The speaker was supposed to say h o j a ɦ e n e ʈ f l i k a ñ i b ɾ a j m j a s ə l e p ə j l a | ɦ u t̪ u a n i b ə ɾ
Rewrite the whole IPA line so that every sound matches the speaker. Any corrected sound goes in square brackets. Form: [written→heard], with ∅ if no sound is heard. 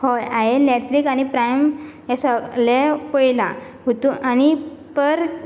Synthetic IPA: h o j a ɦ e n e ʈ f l i k a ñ i [b→p] ɾ a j m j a s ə l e p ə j l a | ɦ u t̪ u a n i [b→p] ə ɾ